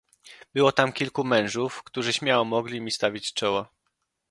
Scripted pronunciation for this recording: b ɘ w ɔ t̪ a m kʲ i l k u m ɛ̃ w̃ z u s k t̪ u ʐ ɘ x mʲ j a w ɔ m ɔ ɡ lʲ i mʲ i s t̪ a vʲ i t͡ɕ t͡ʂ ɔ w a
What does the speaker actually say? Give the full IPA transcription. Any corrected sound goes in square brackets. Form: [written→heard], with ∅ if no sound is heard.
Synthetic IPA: b ɘ w ɔ t̪ a m kʲ i l k u m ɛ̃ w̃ [z→ʐ] u [s→f] k t̪ u ʐ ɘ [x→ɕ] mʲ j a w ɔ m ɔ ɡ lʲ i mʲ i s t̪ a vʲ i t͡ɕ t͡ʂ ɔ w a